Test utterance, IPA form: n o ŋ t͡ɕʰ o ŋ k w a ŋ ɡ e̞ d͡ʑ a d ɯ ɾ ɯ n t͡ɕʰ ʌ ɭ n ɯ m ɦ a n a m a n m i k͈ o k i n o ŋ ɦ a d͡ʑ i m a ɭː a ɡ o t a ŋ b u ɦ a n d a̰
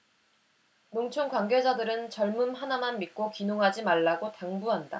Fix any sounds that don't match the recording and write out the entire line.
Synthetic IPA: n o ŋ t͡ɕʰ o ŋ k w a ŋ ɡ e̞ d͡ʑ a d ɯ ɾ ɯ n t͡ɕ ʌ ɭ m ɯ m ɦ a n a m a n m i k͈ o k i n o ŋ ɦ a d͡ʑ i m a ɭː a ɡ o t a ŋ b u ɦ a n d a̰

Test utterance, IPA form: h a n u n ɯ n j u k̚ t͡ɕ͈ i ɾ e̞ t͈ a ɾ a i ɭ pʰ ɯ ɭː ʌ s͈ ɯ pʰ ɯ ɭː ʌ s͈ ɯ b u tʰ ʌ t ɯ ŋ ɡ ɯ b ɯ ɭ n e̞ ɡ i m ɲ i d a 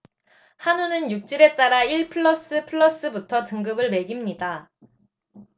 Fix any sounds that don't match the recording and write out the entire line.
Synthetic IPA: h a n u n ɯ n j u k̚ t͡ɕ͈ i ɾ e̞ t͈ a ɾ a i ɭ pʰ ɯ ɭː ʌ s͈ ɯ pʰ ɯ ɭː ʌ s͈ ɯ b u tʰ ʌ t ɯ ŋ ɡ ɯ b ɯ ɭ m e̞ ɡ i m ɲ i d a

